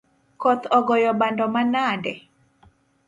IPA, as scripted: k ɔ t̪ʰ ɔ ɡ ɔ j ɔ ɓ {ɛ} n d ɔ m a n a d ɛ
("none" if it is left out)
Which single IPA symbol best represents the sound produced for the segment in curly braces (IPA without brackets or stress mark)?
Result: a